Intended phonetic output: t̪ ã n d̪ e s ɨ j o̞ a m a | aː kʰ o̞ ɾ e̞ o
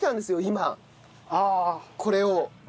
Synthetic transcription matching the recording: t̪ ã n d̪ e s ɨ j o̞ i m a | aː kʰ o̞ ɾ e̞ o